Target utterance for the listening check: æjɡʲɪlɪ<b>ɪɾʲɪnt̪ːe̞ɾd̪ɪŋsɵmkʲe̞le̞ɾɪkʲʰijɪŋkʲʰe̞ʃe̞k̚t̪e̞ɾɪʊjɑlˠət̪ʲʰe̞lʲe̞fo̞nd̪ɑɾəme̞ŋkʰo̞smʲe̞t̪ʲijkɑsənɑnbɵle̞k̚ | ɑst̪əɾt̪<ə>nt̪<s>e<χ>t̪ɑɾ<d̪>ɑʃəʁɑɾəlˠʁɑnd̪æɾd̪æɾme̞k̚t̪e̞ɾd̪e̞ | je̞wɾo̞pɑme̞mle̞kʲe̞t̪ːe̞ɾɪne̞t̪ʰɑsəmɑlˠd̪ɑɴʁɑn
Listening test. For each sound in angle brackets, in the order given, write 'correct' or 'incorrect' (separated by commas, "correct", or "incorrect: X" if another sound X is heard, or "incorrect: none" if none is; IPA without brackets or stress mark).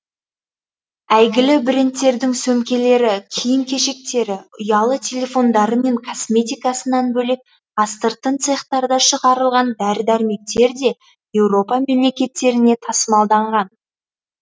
correct, correct, correct, correct, correct